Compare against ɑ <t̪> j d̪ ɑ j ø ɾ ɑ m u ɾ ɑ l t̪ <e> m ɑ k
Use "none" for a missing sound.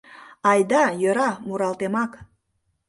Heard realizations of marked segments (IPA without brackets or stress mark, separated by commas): none, e